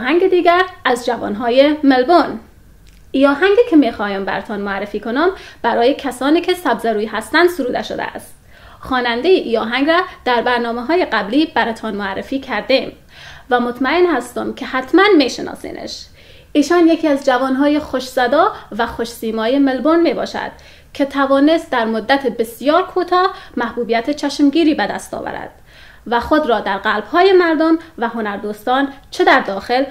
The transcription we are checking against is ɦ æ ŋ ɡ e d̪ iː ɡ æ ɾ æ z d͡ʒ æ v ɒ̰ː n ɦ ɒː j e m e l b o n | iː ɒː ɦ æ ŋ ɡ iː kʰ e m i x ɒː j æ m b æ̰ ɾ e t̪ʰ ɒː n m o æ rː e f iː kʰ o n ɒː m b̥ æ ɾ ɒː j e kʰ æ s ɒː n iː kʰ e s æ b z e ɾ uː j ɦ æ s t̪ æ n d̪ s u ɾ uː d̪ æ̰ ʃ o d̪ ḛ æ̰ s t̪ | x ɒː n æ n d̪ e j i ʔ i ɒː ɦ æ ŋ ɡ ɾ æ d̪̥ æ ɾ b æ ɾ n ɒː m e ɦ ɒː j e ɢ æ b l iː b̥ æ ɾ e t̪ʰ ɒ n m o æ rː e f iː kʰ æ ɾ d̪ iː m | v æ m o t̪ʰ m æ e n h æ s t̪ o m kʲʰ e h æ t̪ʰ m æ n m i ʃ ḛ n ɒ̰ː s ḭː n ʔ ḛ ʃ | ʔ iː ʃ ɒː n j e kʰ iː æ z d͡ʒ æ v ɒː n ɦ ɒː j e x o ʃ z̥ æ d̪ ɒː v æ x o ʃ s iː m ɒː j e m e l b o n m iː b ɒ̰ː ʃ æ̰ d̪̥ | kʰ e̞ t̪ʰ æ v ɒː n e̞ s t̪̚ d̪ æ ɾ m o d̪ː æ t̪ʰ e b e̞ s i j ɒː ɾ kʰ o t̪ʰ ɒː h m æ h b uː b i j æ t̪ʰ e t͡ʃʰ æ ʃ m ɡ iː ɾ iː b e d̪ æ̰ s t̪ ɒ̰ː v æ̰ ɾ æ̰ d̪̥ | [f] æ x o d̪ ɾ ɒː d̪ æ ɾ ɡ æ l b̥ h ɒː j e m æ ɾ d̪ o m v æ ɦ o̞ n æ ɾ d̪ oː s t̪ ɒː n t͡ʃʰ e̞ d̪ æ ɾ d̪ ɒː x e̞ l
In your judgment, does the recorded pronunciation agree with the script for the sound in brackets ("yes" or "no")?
no